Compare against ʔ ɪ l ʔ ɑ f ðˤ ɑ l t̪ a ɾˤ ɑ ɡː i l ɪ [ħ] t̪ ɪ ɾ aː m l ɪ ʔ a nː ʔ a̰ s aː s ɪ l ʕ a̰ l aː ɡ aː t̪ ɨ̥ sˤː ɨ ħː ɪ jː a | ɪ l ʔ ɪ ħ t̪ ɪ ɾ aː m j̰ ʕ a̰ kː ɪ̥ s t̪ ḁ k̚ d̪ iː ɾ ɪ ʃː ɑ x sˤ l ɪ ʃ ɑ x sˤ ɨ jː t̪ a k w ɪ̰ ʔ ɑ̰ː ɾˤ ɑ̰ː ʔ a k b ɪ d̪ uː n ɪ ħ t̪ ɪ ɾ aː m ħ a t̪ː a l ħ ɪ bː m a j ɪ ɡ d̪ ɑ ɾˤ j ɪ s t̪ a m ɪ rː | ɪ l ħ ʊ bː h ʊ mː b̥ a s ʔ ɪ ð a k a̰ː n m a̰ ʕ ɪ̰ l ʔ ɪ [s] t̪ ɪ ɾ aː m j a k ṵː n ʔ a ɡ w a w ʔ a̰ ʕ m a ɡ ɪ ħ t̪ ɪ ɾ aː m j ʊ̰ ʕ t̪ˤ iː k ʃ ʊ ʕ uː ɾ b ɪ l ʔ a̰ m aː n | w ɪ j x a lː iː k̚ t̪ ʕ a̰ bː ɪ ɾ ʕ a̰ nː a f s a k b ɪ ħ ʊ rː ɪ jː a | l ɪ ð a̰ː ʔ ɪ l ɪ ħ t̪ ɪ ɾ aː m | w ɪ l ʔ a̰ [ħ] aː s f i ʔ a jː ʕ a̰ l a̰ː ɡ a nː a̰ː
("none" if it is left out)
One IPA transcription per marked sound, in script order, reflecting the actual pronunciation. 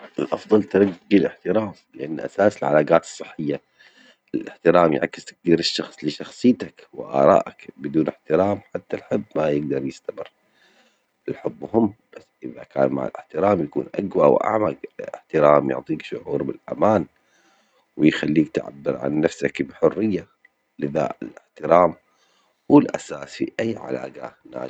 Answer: ħ, ħ, s

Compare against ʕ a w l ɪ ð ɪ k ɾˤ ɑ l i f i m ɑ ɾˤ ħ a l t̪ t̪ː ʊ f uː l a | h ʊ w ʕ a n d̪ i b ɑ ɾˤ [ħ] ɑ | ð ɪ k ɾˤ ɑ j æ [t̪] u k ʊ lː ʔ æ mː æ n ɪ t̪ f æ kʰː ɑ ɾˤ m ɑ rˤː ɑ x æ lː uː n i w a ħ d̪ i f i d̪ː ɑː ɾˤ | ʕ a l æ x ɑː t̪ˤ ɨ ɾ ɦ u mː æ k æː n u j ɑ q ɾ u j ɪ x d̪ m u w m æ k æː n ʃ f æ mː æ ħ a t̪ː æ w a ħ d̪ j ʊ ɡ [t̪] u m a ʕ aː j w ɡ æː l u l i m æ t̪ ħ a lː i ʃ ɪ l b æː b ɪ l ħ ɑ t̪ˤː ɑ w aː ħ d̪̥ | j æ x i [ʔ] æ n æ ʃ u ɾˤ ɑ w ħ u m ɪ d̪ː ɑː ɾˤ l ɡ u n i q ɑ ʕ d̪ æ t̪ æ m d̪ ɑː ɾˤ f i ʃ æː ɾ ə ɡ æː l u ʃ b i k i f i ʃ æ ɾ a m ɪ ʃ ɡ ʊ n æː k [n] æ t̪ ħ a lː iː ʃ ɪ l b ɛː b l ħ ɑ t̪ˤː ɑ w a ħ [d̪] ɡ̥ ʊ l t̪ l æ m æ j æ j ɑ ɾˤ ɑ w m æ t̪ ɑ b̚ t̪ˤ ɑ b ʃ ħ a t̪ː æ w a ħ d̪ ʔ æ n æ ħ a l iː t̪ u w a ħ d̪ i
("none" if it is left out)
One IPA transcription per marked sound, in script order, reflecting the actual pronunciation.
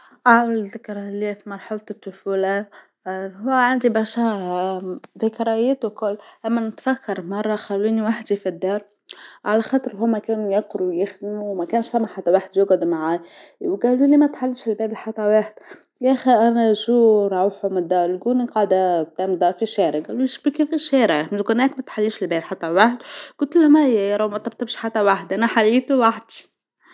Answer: ʃ, t̪, d̪, ʔ, m, d̪

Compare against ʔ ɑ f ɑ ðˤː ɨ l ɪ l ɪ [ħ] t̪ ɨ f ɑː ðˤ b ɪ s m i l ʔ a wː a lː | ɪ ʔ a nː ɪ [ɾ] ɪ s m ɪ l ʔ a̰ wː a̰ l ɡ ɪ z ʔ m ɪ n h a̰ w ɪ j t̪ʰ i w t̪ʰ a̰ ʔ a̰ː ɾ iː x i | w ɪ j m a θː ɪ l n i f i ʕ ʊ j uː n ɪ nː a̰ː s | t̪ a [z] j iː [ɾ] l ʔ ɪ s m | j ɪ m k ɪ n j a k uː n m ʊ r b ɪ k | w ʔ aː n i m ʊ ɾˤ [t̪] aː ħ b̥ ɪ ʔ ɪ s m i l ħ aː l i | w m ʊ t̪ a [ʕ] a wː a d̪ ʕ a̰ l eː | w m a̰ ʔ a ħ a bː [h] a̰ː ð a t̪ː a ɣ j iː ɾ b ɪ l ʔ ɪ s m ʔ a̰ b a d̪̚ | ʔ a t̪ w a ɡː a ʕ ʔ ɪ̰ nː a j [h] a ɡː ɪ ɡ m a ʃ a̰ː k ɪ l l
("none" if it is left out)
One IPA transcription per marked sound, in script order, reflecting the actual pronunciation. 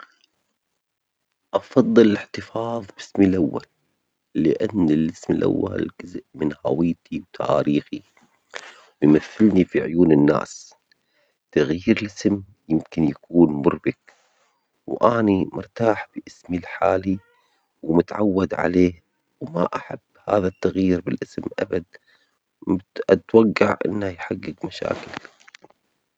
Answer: ħ, l, ɣ, ɾ, t̪, ʕ, h, ħ

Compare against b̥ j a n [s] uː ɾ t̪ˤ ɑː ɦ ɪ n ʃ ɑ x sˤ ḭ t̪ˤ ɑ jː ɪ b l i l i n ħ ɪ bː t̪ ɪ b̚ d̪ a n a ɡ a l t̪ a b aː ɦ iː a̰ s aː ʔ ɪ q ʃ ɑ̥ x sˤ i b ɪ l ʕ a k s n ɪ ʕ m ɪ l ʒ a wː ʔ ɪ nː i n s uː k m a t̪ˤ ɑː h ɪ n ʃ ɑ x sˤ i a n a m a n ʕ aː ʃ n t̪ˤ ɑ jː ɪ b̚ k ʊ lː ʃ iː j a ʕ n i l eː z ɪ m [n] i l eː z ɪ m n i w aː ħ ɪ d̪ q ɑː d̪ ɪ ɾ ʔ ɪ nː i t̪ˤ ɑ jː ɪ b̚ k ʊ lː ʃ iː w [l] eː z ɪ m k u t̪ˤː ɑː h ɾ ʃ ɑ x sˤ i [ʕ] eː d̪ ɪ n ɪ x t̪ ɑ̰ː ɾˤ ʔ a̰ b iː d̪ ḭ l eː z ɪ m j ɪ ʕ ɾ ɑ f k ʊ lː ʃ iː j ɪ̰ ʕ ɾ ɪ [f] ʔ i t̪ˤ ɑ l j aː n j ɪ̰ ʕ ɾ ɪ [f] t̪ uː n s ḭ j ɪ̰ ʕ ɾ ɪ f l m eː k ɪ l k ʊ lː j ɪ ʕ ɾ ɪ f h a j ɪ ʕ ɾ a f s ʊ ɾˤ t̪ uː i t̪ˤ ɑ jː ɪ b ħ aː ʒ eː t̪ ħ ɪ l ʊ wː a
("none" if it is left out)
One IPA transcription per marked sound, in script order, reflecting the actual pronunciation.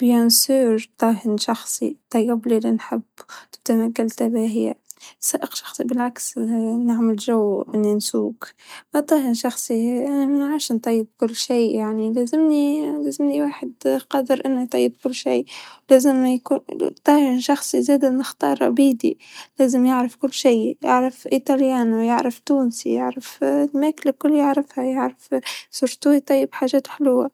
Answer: s, n, l, z, f, f

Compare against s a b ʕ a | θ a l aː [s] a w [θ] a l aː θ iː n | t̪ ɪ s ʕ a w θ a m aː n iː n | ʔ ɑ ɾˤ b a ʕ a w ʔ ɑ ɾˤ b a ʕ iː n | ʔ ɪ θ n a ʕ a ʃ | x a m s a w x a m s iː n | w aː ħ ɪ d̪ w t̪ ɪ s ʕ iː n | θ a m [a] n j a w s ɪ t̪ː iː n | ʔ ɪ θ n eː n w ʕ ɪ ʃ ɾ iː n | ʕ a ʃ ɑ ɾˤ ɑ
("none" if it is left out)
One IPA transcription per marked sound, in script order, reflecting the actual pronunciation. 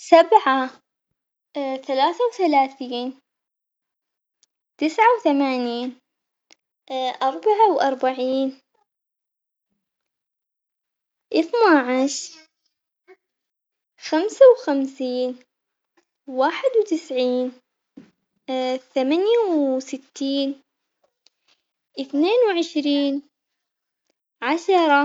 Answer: θ, θ, a

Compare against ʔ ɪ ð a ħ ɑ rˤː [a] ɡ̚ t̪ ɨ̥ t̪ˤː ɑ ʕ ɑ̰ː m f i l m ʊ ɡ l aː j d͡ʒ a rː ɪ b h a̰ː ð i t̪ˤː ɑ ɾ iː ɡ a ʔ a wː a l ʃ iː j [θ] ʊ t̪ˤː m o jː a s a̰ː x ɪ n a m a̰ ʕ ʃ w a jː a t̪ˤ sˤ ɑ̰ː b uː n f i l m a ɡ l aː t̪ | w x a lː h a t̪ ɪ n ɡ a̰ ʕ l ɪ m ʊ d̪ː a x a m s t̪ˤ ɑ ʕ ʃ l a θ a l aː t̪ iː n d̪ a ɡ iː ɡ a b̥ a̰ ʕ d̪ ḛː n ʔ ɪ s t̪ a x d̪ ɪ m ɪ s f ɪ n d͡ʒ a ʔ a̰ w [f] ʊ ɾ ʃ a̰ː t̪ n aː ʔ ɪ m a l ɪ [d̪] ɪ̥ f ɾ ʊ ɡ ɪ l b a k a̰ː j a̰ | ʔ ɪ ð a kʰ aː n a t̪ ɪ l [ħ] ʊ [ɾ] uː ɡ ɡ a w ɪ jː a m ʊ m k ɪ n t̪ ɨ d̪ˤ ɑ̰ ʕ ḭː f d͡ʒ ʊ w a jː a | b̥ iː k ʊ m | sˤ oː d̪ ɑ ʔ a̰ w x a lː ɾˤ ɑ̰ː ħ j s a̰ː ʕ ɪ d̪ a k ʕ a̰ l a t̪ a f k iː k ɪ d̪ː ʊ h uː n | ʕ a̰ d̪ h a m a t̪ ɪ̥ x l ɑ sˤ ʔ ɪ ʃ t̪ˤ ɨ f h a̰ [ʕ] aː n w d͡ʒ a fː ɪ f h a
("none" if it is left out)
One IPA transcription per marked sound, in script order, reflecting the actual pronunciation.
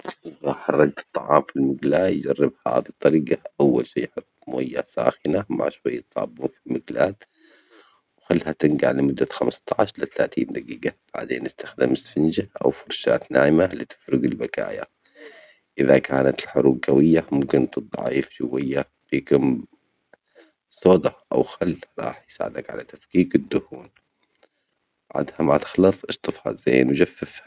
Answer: ɑ, ħ, f, t̪, ħ, ɾ, z

